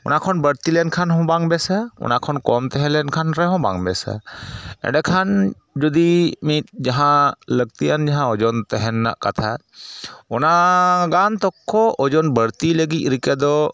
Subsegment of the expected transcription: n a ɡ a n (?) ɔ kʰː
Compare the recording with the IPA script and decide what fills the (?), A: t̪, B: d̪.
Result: A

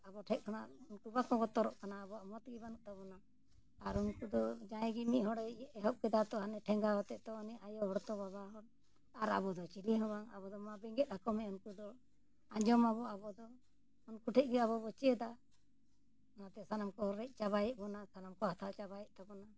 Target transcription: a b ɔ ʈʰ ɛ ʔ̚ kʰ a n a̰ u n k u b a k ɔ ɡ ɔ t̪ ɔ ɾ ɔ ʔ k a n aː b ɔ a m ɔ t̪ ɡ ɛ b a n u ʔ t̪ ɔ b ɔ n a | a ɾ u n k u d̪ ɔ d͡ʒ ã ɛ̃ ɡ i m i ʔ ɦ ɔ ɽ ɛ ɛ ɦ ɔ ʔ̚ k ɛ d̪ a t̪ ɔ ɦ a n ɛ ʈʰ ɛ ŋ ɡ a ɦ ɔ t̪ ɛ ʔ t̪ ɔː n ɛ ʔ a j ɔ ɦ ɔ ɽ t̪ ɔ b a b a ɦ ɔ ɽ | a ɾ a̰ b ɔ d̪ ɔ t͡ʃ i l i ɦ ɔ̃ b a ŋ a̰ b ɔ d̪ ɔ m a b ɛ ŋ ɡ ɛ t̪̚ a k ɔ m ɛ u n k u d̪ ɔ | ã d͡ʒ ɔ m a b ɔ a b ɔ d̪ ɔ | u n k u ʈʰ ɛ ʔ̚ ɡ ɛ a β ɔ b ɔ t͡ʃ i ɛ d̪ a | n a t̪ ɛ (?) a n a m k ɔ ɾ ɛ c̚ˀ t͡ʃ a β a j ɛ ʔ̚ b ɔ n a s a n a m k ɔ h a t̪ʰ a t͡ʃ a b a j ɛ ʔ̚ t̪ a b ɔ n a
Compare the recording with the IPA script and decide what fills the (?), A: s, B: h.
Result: A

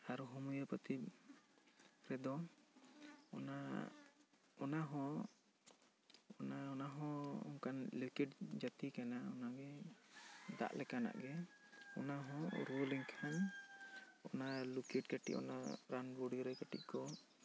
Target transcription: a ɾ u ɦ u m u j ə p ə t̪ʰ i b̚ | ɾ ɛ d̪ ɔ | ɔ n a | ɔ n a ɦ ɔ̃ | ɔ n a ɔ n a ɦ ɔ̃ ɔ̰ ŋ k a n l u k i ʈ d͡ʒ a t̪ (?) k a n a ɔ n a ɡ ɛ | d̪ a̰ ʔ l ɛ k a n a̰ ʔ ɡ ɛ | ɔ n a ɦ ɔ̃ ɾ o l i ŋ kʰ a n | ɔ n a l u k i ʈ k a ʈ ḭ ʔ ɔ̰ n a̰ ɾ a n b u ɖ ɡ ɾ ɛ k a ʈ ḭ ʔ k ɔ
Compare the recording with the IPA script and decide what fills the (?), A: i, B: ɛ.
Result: A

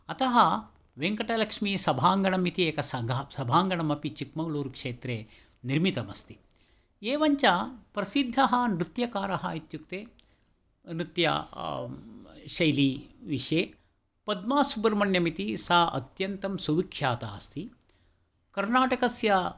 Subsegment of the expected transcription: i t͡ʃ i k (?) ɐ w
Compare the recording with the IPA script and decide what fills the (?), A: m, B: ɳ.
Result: A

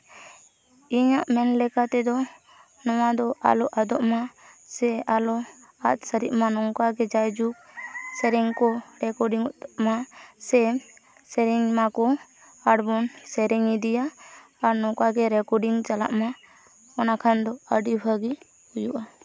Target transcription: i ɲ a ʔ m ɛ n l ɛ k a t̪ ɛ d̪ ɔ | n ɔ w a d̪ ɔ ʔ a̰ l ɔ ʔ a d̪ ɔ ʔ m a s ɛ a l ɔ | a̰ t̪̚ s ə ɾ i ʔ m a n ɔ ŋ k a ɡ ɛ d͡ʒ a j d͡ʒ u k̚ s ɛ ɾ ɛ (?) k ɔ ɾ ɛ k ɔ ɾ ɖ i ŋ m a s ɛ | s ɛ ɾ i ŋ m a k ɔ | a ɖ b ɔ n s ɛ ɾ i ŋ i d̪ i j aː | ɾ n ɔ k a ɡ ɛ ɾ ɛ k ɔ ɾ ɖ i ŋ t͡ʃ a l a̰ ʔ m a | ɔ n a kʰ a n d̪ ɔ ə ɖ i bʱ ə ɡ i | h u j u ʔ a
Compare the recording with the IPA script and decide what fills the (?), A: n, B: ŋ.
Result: B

